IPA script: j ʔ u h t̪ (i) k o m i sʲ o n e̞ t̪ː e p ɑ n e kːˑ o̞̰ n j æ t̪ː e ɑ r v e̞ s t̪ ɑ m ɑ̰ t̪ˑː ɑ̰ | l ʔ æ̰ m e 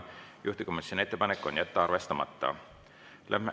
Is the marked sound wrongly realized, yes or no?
no